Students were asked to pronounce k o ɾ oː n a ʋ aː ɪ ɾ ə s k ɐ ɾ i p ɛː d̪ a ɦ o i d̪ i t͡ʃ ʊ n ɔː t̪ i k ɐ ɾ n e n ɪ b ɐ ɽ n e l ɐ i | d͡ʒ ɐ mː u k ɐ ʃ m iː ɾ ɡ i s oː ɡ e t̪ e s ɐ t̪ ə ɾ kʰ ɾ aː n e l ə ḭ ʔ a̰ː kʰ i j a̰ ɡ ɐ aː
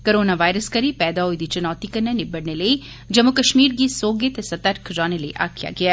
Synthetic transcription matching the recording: k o ɾ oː n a ʋ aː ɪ ɾ ə s k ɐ ɾ i p ɛː d̪ a ɦ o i d̪ i t͡ʃ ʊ n ɔː t̪ i k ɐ ɾ n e n ɪ b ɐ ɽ n e l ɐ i | d͡ʒ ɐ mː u k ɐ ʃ m iː ɾ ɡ i s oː ɡ e t̪ e s ɐ t̪ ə ɾ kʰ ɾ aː n e l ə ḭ ʔ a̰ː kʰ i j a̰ ɡ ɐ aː